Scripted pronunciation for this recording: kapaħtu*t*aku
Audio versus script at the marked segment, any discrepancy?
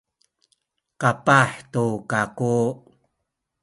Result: yes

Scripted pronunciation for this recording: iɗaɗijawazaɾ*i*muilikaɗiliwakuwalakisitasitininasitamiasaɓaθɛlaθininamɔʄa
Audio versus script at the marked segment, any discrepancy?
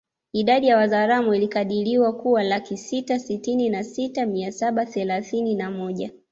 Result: yes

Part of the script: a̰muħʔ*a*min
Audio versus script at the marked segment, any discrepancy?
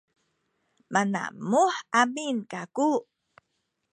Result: no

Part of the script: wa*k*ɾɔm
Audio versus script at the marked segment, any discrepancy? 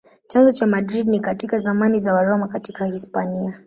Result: yes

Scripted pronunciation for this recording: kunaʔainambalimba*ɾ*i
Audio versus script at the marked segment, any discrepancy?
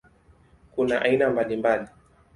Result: yes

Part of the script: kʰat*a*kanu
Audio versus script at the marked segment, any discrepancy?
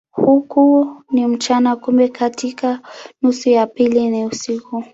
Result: yes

